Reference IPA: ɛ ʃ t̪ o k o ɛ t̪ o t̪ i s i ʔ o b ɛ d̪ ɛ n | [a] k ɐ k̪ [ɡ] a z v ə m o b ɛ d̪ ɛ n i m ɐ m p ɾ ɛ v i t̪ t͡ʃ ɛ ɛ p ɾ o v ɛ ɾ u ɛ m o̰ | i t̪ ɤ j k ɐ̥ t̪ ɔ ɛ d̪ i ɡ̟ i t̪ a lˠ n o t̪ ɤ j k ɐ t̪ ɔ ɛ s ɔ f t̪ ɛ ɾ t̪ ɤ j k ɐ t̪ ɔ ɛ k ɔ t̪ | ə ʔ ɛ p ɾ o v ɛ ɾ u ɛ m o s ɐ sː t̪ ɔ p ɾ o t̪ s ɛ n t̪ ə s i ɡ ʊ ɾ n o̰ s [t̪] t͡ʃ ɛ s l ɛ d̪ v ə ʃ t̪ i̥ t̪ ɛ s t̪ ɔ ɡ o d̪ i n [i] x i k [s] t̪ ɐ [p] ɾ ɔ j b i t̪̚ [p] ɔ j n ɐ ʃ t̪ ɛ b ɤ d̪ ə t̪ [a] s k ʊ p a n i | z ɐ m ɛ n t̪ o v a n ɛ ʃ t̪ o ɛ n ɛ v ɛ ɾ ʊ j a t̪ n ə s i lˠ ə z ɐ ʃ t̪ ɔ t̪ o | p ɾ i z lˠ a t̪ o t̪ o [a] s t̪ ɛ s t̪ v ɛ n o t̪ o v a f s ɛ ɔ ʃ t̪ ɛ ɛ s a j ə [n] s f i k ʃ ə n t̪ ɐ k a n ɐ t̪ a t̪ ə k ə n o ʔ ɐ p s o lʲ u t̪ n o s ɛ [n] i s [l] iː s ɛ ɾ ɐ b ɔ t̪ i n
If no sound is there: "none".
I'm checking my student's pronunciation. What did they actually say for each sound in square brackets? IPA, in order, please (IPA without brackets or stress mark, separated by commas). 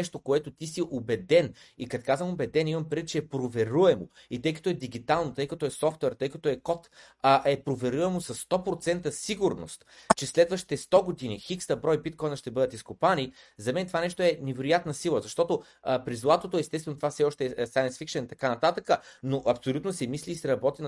i, k, t̪, i, s, b, k, i, ɛ, n, m, l